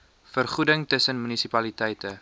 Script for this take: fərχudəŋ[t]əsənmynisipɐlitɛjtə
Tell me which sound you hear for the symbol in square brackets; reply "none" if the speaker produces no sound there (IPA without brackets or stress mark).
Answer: t